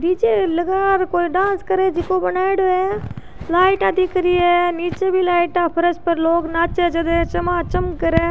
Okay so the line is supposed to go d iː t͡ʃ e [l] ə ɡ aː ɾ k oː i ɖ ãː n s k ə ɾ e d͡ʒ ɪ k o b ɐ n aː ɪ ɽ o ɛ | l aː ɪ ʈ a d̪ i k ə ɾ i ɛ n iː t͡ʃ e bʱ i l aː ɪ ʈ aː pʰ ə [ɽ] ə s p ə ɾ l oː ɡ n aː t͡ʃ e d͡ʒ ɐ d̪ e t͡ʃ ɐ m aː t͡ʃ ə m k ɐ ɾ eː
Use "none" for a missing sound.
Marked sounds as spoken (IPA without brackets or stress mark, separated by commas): l, ɾ